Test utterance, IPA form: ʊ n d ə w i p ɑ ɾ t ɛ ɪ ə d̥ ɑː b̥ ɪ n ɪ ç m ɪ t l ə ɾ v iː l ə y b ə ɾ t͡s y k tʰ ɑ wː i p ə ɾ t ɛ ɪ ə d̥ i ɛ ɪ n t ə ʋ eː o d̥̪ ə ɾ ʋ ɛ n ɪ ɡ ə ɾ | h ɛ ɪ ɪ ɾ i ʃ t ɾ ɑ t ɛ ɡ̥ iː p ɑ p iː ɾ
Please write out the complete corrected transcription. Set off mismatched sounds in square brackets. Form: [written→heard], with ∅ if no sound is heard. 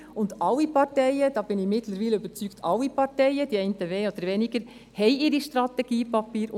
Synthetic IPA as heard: ʊ n d [ə→ɑ] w i p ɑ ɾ t ɛ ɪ ə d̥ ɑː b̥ ɪ n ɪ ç m ɪ t l ə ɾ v iː l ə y b ə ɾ t͡s y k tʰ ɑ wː i p [ə→ɑ] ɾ t ɛ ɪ ə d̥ i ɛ ɪ n t ə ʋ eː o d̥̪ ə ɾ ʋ ɛ n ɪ ɡ ə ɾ | h ɛ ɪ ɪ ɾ i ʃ t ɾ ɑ t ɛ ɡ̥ iː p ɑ p iː ɾ